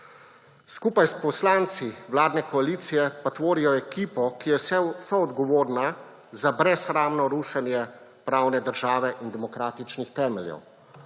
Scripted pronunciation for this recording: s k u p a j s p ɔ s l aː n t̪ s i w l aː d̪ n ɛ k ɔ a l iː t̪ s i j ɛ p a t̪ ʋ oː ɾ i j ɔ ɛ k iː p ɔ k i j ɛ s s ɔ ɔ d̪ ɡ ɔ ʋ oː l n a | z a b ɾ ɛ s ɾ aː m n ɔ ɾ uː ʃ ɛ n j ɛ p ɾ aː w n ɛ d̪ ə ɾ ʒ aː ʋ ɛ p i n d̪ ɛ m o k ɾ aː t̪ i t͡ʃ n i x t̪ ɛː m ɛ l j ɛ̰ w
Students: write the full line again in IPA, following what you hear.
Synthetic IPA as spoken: s k u p a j s p ɔ s l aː n t̪ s i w l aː d̪ n ɛ k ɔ a l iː t̪ s i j ɛ p a t̪ ʋ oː ɾ i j ɔ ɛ k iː p ɔ k i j ɛ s s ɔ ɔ d̪ ɡ ɔ ʋ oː ɾ n a | z a b ɾ ɛ s ɾ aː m n ɔ ɾ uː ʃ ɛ n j ɛ p ɾ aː w n ɛ d̪ ə ɾ ʒ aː ʋ ɛ ʔ i n d̪ ɛ m ɔ k ɾ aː t̪ i t͡ʃ n i x t̪ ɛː m ɛ l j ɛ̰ w